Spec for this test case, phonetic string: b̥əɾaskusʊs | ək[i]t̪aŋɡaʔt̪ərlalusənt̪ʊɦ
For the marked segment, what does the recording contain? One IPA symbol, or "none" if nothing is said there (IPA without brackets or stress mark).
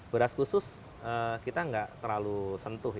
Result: i